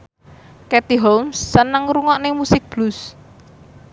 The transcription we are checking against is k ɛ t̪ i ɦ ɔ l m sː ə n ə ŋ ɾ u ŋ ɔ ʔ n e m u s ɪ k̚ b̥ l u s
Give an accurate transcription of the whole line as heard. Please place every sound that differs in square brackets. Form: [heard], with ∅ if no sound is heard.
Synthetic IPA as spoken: k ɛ t̪ i ɦ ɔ l m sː ə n ə ŋ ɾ u ŋ ɔ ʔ n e m u s ɪ k̚ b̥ l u s